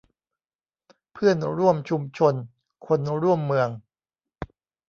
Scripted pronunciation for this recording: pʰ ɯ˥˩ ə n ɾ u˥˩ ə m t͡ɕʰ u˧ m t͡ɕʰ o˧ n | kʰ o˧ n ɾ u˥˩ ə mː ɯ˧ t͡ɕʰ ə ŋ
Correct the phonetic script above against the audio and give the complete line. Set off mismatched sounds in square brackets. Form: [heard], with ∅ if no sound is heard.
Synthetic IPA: pʰ ɯ˥˩ ə n ɾ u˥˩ ə m t͡ɕʰ u˧ m t͡ɕʰ o˧ n | kʰ o˧ n ɾ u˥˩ ə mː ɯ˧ [∅] ə ŋ